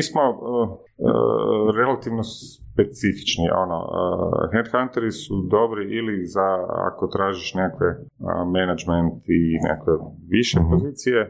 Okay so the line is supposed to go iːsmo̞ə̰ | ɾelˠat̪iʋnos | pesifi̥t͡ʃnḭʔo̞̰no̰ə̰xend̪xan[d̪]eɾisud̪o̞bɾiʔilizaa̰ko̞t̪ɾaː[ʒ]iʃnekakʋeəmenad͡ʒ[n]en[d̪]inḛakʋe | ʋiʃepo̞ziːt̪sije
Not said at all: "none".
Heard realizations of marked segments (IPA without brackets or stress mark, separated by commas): t̪, ʒ, m, t̪